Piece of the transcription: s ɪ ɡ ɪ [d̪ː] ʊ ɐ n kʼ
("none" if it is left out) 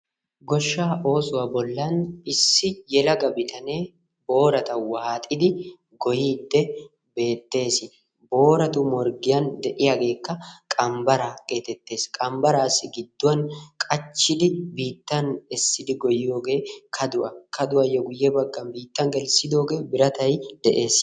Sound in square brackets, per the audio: d̪ː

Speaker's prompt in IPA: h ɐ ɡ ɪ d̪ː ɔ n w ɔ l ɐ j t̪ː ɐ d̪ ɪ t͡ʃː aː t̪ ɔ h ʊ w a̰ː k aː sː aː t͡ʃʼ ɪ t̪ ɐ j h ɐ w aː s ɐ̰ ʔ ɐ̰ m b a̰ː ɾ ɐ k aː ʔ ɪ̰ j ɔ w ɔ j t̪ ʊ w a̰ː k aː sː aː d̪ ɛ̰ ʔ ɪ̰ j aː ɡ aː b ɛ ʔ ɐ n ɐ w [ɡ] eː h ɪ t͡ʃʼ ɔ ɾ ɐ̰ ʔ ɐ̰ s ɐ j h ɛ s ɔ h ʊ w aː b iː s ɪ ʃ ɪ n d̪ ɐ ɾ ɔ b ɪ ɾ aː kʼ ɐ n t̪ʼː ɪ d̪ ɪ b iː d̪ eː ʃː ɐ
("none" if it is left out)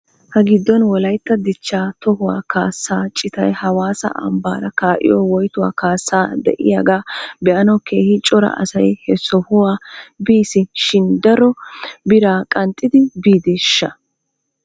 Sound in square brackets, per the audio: k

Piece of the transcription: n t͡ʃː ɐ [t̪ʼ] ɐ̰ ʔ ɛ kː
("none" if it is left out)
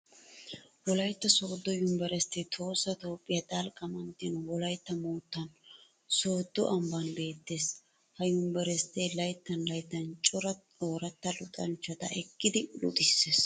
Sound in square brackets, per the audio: t̪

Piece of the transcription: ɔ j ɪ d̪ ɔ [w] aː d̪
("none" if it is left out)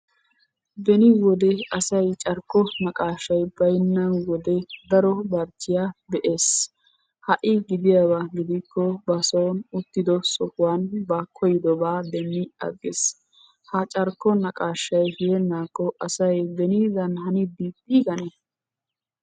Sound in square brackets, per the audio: b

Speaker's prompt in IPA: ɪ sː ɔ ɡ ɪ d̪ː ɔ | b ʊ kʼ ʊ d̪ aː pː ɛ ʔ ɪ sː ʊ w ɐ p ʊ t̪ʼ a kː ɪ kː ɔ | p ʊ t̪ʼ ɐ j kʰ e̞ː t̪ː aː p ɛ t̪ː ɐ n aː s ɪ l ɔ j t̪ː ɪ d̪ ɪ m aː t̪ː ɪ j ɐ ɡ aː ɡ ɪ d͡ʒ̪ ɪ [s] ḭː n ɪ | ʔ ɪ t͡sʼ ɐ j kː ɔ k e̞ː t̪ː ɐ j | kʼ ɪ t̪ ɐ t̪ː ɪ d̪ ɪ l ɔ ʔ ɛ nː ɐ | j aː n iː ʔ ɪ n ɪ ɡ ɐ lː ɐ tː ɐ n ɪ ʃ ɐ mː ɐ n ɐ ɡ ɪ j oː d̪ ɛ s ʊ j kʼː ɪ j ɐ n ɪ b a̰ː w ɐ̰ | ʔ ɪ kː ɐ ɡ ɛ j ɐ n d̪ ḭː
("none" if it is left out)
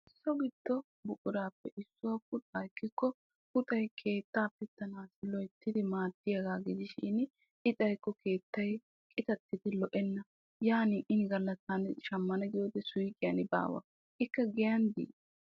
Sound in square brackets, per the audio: ʃ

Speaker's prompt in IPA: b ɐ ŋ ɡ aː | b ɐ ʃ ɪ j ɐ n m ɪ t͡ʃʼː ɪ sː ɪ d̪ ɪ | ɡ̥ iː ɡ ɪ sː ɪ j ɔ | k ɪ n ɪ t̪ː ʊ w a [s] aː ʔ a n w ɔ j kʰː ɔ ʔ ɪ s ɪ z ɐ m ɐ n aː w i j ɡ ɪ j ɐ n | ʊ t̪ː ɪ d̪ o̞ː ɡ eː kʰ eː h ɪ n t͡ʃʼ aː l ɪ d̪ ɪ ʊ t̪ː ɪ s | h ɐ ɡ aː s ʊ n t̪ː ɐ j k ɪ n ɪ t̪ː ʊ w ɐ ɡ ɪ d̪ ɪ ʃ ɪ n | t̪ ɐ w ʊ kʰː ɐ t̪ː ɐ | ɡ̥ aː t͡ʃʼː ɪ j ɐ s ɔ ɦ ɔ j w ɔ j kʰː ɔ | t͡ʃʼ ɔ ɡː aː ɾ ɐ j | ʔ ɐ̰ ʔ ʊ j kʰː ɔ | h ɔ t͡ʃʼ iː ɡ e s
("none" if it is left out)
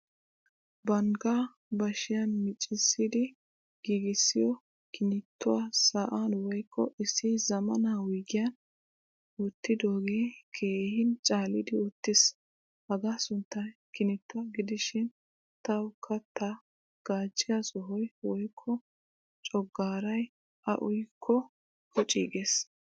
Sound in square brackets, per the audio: s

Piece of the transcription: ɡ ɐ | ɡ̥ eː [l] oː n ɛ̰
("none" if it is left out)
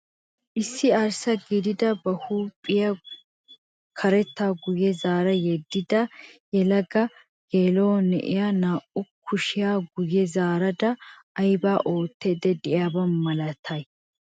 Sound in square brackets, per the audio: l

